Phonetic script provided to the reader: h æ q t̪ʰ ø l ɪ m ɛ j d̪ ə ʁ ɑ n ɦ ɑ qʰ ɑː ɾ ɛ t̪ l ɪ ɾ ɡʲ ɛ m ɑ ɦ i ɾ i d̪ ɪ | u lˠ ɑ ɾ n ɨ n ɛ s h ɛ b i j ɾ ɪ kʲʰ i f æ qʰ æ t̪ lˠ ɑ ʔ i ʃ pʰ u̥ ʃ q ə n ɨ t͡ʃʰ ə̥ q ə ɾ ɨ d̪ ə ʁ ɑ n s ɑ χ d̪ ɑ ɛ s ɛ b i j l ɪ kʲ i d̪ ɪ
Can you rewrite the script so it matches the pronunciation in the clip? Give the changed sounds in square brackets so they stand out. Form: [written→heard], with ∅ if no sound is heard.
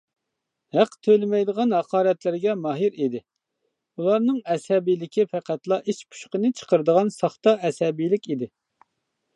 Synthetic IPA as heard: h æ q t̪ʰ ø l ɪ m ɛ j d̪ ə ʁ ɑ n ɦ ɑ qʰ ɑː ɾ ɛ t̪ l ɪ ɾ ɡʲ ɛ m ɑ ɦ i ɾ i d̪ ɪ | u lˠ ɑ ɾ n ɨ [n→ŋ] ɛ s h ɛ b i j [ɾ→l] ɪ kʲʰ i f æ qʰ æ t̪ lˠ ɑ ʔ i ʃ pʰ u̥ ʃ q ə n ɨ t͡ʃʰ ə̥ q ə ɾ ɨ d̪ ə ʁ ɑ n s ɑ χ [d̪→t̪] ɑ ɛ s ɛ b i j l ɪ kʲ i d̪ ɪ

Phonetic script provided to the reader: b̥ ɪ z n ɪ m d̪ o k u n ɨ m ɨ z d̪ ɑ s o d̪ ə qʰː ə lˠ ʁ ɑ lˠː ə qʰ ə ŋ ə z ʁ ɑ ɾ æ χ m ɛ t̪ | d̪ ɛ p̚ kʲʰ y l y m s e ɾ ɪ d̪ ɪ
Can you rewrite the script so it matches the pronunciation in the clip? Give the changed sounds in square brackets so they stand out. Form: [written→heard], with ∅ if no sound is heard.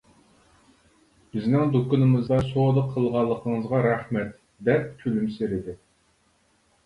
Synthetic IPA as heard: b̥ ɪ z n ɪ [m→ŋ] d̪ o k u n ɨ m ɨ z d̪ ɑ s o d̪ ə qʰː ə lˠ ʁ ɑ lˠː ə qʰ ə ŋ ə z ʁ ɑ ɾ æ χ m ɛ t̪ | d̪ ɛ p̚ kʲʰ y l y m s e ɾ ɪ d̪ ɪ

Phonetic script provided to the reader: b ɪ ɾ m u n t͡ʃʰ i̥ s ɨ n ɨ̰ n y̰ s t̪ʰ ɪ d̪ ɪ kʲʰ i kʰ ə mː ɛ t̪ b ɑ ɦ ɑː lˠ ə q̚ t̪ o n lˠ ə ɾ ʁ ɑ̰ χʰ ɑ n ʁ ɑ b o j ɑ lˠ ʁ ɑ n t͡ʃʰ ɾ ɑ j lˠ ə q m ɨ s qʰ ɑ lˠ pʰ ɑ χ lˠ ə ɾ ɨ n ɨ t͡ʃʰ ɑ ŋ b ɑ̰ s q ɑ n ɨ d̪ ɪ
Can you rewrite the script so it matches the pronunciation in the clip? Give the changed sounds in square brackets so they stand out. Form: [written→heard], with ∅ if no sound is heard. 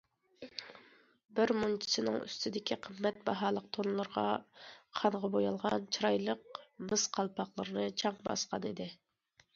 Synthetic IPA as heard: b ɪ ɾ m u n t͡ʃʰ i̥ s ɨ n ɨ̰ [n→ŋ] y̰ s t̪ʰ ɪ d̪ ɪ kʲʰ i [kʰ→qʰ] ə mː ɛ t̪ b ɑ ɦ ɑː lˠ ə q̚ [t̪→t̪ʰ] o n lˠ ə ɾ ʁ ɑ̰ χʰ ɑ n ʁ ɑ b o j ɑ lˠ ʁ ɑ n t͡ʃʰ ɾ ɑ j lˠ ə q m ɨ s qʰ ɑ lˠ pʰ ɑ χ lˠ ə ɾ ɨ n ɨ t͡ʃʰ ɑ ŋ b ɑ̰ s q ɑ n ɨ d̪ ɪ

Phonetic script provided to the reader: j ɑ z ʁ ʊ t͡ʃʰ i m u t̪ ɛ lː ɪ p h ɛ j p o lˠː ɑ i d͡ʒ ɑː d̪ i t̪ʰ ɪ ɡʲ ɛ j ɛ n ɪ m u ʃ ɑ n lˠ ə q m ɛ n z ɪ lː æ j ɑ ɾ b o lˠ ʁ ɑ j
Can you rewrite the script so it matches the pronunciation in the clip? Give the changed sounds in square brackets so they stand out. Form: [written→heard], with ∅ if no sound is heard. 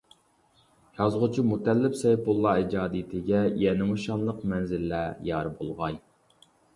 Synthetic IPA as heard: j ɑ z ʁ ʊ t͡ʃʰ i m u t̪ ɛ lː ɪ p [h→s] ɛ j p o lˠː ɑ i d͡ʒ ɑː d̪ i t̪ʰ ɪ ɡʲ ɛ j ɛ n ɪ m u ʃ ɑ n lˠ ə q m ɛ n z ɪ lː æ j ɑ ɾ b o lˠ ʁ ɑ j

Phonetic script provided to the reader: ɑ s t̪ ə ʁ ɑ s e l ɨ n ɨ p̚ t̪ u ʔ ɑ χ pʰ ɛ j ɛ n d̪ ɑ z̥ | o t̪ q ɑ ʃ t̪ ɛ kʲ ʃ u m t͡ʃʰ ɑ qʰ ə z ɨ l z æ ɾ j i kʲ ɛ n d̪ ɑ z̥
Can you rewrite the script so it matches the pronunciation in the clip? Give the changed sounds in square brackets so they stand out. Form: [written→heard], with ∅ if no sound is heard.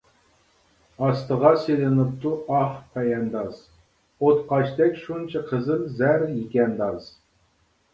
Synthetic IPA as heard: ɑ s t̪ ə ʁ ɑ s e l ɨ n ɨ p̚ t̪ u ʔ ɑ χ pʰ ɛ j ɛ n d̪ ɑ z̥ | o t̪ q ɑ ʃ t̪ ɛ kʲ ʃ u [m→n] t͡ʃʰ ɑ qʰ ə z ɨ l z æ ɾ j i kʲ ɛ n d̪ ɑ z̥

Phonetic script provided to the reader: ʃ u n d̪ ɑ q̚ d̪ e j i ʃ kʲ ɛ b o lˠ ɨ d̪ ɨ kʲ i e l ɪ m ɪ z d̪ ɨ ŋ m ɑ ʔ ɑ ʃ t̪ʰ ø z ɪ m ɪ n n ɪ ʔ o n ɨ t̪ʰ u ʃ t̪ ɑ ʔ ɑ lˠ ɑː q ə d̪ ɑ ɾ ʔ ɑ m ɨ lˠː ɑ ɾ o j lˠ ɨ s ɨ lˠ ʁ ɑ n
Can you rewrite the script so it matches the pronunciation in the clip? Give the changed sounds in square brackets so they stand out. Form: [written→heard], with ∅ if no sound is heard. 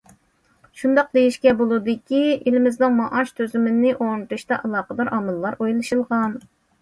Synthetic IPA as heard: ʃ u n d̪ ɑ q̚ d̪ e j i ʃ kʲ ɛ b o lˠ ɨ d̪ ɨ kʲ i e l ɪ m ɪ z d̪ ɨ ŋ m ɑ ʔ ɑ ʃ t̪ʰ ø z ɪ m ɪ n n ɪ ʔ o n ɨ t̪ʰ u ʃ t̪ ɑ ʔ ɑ lˠ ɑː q ə d̪ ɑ ɾ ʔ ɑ m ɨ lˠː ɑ ɾ o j lˠ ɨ [s→ʃ] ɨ lˠ ʁ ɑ n

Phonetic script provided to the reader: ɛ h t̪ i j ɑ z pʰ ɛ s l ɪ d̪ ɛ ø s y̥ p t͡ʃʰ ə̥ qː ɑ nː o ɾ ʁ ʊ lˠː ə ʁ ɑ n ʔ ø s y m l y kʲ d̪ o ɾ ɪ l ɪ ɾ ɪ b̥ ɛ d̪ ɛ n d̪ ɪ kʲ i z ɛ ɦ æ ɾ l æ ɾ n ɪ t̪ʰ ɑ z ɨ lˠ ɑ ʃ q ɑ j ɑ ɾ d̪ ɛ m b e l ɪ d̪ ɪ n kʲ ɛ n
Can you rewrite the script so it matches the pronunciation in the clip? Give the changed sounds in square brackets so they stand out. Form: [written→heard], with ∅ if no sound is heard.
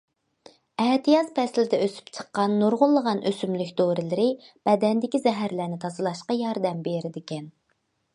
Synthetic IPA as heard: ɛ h t̪ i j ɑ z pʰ ɛ s l ɪ d̪ ɛ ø s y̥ p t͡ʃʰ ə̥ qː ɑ nː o ɾ ʁ ʊ lˠː ə ʁ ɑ n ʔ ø s y m l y kʲ d̪ o ɾ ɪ l ɪ ɾ ɪ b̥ ɛ d̪ ɛ n d̪ ɪ kʲ i z ɛ ɦ æ ɾ l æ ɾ n ɪ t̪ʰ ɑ z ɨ lˠ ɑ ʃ q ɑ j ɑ ɾ d̪ ɛ m b e [l→ɾ] ɪ d̪ ɪ [n→∅] kʲ ɛ n

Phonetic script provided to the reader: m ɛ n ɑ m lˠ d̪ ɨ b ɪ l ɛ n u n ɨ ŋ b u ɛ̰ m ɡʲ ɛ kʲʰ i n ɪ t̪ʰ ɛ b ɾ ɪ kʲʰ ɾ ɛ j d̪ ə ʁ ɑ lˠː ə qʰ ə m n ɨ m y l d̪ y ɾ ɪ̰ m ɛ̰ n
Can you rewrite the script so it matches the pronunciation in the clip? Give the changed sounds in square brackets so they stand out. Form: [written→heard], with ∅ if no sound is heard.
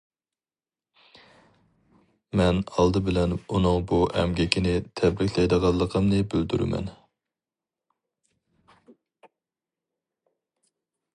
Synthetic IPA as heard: m ɛ n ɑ [m→∅] lˠ d̪ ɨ b ɪ l ɛ n u n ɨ ŋ b u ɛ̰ m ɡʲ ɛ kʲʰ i n ɪ t̪ʰ ɛ b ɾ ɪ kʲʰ [ɾ→l] ɛ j d̪ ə ʁ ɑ lˠː ə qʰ ə m n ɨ [m→b] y l d̪ y ɾ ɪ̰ m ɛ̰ n

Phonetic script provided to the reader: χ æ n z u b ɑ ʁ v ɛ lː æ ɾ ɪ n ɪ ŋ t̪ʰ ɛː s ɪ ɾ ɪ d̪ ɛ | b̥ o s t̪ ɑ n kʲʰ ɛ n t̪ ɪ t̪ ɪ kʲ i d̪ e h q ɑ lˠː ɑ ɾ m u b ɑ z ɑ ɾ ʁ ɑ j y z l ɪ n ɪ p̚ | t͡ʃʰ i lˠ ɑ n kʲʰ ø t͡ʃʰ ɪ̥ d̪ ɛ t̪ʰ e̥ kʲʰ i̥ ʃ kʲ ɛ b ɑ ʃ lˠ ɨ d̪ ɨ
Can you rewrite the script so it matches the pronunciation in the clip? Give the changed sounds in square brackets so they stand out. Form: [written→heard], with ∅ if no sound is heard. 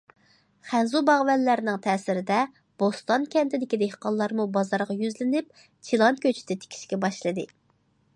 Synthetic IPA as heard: χ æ n z u b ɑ ʁ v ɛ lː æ ɾ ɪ n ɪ ŋ t̪ʰ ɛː s ɪ ɾ ɪ d̪ ɛ | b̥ o s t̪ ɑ n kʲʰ ɛ n t̪ ɪ [t̪→d̪] ɪ kʲ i d̪ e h q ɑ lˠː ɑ ɾ m u b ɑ z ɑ ɾ ʁ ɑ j y z l ɪ n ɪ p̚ | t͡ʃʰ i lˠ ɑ n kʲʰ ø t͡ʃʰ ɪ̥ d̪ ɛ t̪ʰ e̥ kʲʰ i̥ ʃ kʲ ɛ b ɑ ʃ lˠ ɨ d̪ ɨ

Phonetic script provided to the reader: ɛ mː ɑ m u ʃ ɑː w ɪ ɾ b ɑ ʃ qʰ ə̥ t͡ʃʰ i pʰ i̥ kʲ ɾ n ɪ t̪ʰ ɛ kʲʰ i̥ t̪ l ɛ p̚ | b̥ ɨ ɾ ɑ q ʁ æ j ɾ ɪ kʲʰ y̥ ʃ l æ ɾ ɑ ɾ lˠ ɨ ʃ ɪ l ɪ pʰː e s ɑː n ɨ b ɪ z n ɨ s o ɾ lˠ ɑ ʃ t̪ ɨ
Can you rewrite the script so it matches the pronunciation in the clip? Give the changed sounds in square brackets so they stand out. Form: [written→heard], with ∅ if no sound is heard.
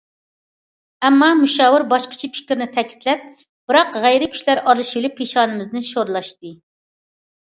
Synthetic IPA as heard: ɛ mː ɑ m u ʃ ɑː w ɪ ɾ b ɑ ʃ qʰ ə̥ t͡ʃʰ i pʰ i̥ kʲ ɾ n ɪ t̪ʰ ɛ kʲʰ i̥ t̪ l ɛ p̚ | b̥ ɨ ɾ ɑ q ʁ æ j ɾ ɪ kʲʰ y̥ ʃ l æ ɾ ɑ ɾ lˠ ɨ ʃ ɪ l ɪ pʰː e [s→ʃ] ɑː n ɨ [b→m] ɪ z n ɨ [s→ʃ] o ɾ lˠ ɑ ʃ t̪ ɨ

